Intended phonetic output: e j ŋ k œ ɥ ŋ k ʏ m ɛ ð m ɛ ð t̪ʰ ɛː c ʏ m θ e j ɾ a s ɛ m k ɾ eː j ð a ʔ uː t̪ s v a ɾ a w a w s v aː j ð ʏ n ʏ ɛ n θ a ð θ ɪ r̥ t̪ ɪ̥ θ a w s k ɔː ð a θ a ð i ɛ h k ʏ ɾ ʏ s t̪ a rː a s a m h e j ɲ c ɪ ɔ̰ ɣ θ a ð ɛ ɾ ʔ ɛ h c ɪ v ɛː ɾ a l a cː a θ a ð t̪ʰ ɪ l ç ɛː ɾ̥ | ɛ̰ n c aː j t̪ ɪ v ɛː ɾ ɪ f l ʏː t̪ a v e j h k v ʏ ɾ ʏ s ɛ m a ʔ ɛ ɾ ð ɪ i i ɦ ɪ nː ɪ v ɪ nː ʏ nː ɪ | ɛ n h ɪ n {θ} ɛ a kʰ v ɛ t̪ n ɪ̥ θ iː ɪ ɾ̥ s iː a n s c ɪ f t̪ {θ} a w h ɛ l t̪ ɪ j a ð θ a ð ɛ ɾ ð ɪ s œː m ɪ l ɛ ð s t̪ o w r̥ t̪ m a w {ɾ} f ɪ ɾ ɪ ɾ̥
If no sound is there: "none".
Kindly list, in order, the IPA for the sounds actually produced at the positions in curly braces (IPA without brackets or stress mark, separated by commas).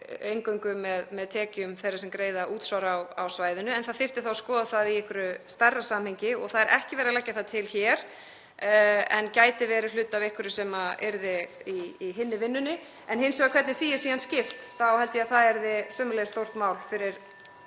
s, θ, l